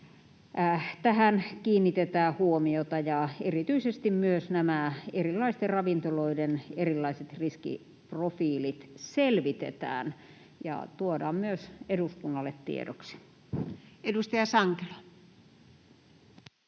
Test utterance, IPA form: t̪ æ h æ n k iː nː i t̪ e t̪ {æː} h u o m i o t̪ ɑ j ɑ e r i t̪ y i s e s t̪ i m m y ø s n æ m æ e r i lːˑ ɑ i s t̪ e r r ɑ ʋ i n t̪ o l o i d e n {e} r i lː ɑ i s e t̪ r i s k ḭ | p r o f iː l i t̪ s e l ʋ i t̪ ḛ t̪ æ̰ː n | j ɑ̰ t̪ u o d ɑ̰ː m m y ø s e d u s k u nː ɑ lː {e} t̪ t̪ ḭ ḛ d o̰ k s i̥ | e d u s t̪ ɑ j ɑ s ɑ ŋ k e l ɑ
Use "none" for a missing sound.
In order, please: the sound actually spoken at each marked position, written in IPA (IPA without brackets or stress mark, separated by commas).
æː, e, e